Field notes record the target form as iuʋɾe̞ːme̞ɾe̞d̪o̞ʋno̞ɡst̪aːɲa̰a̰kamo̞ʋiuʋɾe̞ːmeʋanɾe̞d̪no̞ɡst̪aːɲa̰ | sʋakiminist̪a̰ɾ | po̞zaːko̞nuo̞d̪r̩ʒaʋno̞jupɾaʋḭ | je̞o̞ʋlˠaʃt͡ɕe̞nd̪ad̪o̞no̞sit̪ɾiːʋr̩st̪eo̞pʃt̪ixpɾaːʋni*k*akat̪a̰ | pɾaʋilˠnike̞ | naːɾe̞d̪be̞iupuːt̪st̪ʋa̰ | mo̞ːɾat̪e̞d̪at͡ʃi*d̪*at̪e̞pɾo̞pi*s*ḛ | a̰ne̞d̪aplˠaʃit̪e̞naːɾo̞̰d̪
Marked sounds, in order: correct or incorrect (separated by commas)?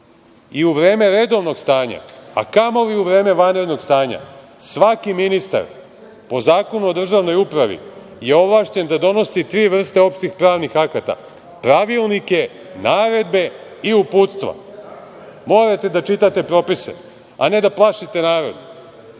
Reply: incorrect, incorrect, correct